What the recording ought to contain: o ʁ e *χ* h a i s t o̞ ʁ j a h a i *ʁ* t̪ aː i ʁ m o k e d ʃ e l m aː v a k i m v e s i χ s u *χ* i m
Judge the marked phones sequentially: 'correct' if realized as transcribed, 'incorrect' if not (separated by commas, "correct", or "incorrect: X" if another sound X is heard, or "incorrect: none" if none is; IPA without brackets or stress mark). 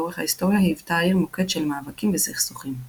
correct, incorrect: v, correct